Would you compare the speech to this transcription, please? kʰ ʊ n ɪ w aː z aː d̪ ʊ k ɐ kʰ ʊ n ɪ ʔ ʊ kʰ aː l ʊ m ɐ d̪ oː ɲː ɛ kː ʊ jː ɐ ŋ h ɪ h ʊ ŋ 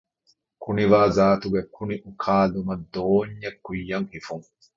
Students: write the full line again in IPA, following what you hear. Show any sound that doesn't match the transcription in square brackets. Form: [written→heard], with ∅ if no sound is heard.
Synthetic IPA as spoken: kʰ ʊ n ɪ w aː z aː [d̪→t̪] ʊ [k→ɡ] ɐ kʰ ʊ n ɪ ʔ ʊ kʰ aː l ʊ m ɐ d̪ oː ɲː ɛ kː ʊ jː ɐ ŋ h ɪ [h→f] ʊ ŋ

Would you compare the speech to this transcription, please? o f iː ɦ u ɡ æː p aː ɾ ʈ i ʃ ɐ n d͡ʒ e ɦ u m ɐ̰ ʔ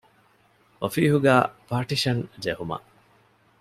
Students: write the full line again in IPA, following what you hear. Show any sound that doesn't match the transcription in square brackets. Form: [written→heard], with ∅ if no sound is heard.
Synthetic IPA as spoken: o f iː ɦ u ɡ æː p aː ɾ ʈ i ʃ ɐ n d͡ʒ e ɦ u m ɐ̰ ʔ

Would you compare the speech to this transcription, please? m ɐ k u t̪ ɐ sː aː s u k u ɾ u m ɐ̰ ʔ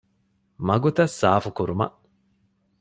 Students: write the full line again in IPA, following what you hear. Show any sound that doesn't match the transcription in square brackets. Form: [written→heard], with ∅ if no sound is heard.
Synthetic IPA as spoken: m ɐ [k→ɡ] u t̪ ɐ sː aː [s→f] u k u ɾ u m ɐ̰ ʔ

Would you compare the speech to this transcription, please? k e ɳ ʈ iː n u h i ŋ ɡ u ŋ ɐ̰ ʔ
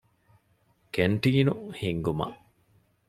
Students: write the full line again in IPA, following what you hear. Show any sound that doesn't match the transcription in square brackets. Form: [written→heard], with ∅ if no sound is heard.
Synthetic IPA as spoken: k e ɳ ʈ iː n u h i ŋ ɡ u [ŋ→m] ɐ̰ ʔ

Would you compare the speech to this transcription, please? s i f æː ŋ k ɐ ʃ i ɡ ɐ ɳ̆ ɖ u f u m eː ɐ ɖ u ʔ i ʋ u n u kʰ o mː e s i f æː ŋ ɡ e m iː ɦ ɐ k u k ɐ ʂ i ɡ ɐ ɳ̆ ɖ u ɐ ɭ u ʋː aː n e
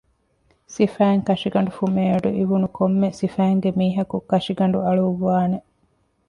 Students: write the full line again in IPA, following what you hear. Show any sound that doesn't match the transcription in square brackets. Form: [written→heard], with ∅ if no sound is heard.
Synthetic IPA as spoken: s i f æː ŋ k ɐ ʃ i ɡ ɐ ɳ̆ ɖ u f u m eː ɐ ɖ u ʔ i ʋ u n u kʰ o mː e s i f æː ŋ ɡ e m iː ɦ ɐ k u k ɐ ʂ i ɡ ɐ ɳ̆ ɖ u ɐ ɭ u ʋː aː n e

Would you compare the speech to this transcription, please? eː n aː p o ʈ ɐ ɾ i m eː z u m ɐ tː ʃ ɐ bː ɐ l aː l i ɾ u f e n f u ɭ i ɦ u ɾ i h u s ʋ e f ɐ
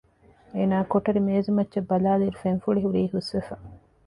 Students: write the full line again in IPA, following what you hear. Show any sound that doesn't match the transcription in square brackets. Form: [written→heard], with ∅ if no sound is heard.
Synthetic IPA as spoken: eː n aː [p→k] o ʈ ɐ ɾ i m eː z u m ɐ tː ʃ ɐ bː ɐ l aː l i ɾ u f e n f u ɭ i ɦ u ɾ [i→iː] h u s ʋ e f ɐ

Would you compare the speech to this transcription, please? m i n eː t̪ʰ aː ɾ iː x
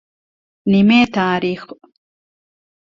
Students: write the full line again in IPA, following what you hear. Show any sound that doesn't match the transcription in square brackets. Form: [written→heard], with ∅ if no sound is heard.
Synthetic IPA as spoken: [m→n] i [n→m] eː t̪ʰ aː ɾ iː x

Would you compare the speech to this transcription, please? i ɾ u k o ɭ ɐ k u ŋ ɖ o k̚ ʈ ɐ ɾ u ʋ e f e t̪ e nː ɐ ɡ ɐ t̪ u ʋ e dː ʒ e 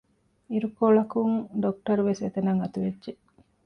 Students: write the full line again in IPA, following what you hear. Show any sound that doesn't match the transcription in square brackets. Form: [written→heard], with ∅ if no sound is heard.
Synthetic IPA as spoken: i ɾ u k o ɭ ɐ k u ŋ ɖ o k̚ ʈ ɐ ɾ u ʋ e [f→s] e t̪ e [nː→n] ɐ [ɡ→ŋ] ɐ t̪ u ʋ e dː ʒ e

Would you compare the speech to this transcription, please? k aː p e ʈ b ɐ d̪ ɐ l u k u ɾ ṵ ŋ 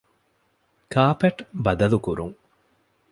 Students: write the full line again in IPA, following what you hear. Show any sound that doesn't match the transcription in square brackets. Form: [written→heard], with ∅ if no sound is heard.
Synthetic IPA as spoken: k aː p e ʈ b ɐ d̪ ɐ l u k u ɾ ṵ ŋ

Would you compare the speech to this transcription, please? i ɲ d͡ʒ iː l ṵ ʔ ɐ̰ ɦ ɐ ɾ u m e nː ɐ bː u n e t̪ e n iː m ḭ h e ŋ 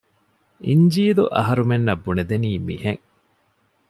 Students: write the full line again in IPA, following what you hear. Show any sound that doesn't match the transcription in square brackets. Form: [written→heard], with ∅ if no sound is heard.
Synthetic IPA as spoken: i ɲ d͡ʒ iː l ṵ ʔ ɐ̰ ɦ ɐ ɾ u m e nː ɐ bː u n e [t̪→d̪] e n iː m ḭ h e ŋ

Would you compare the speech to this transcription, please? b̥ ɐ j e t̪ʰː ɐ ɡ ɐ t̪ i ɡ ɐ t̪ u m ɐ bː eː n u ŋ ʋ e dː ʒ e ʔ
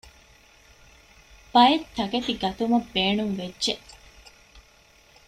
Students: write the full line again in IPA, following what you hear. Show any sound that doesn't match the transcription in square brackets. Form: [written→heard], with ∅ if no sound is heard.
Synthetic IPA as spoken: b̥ ɐ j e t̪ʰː ɐ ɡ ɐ t̪ i ɡ ɐ t̪ u m ɐ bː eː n u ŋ ʋ e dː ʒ e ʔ

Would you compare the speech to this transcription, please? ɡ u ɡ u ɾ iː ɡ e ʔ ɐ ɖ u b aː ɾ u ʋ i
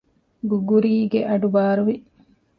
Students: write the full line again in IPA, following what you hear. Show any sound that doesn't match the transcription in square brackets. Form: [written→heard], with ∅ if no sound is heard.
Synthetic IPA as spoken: ɡ u ɡ u ɾ iː ɡ e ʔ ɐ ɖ u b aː ɾ u ʋ i

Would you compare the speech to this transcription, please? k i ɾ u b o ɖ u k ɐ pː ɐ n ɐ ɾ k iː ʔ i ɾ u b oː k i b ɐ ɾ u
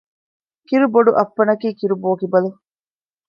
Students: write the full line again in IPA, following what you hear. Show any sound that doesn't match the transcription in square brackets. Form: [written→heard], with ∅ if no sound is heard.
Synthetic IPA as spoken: k i ɾ u b o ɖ u [k→ʔ] ɐ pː ɐ n ɐ [ɾ→∅] k iː [ʔ→k] i ɾ u b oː k i b ɐ [ɾ→l] u

